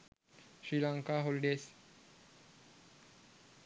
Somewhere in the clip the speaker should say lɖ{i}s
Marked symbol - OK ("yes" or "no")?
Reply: no